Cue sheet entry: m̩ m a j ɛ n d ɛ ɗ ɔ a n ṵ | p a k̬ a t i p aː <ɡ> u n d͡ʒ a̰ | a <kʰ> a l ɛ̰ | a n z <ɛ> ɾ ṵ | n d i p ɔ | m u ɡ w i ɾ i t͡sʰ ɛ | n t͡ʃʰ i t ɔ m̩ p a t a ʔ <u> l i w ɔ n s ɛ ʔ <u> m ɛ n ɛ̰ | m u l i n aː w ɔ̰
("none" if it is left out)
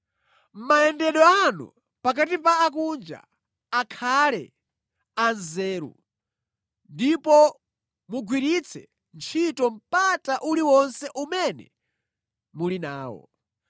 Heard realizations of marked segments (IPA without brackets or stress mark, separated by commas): k, kʰ, ɛː, u, u